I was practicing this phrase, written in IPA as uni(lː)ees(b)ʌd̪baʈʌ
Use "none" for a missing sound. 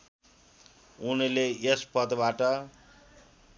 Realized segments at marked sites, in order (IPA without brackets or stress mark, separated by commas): l, p